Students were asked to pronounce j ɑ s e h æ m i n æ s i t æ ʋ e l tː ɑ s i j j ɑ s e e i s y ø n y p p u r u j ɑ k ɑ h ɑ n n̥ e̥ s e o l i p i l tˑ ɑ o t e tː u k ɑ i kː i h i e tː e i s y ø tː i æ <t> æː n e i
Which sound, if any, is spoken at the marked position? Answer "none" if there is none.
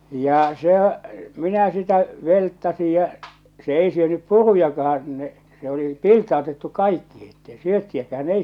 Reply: k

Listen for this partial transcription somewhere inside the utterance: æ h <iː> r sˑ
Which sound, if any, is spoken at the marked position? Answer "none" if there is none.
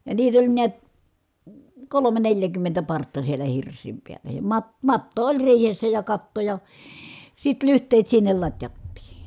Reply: i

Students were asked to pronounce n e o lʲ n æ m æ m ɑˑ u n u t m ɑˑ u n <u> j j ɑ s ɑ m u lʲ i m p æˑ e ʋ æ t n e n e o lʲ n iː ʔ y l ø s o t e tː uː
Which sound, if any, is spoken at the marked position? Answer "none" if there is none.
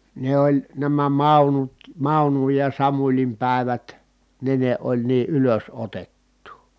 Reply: u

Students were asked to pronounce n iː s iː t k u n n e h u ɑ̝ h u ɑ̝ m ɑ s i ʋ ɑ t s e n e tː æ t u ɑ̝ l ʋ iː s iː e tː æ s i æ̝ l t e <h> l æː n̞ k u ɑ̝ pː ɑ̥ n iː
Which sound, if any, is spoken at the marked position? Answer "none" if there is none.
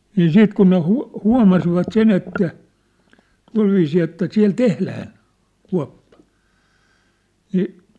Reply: h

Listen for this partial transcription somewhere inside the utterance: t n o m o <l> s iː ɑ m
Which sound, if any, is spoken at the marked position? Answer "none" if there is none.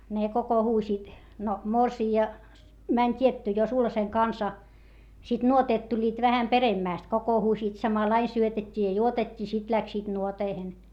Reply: r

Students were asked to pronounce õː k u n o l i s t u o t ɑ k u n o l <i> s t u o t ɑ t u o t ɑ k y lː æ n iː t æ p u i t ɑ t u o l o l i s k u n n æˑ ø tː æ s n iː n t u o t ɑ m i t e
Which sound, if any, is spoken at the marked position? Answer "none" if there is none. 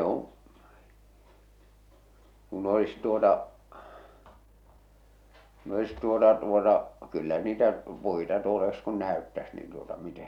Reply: i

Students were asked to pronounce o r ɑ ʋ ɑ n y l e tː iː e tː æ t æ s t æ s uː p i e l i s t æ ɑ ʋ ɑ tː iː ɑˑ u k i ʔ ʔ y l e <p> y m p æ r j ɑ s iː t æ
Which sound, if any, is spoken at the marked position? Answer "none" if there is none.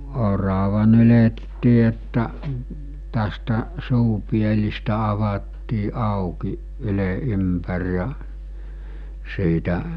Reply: ʔ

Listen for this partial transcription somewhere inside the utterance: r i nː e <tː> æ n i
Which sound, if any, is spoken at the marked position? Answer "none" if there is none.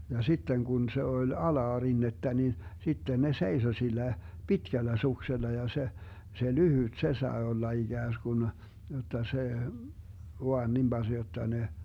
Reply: tː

